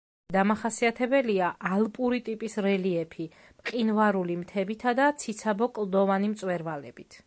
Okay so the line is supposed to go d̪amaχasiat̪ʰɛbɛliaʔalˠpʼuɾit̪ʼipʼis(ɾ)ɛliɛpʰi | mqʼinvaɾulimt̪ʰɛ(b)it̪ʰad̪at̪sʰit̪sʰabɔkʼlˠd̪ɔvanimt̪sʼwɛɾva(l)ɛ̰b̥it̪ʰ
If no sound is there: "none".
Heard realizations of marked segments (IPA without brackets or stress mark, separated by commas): ɾ, b, l